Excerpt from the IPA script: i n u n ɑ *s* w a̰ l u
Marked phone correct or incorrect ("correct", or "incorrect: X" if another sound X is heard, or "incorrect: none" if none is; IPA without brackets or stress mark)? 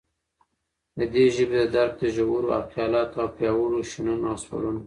correct